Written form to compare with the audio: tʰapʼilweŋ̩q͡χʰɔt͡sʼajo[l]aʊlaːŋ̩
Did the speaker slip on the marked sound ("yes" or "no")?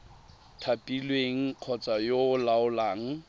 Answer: no